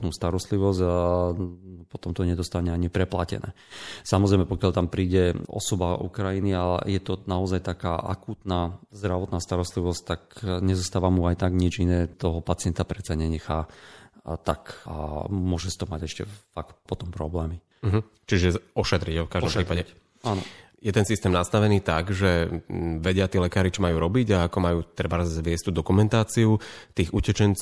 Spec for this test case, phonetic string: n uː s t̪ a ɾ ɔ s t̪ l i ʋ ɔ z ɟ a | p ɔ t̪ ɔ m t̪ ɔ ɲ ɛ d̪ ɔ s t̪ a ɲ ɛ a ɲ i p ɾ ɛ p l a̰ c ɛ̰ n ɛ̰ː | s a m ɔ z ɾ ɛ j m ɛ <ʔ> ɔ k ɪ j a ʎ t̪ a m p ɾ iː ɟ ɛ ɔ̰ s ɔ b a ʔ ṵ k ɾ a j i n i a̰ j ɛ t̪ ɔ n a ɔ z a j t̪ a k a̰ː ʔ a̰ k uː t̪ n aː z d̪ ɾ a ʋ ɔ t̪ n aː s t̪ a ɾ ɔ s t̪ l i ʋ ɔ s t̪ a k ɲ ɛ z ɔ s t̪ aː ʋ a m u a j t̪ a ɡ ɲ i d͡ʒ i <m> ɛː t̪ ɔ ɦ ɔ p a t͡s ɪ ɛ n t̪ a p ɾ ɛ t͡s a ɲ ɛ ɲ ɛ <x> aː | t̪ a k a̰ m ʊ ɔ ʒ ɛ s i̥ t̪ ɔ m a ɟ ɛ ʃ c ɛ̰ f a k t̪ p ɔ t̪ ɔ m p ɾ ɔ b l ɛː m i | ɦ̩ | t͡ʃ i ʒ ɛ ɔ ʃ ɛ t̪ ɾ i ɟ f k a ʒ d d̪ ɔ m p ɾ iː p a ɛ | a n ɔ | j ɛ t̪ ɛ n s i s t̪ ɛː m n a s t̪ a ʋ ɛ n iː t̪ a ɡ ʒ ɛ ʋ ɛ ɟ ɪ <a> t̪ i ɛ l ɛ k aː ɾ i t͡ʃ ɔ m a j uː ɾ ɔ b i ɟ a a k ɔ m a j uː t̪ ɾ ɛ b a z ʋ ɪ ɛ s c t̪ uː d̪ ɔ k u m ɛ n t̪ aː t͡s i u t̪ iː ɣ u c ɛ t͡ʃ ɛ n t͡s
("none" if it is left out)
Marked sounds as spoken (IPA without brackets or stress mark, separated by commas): p, n, x, a